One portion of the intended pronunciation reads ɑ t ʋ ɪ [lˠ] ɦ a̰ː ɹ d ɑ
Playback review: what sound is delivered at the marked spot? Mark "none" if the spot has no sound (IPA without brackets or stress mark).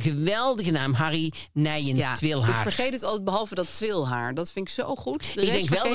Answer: lˠ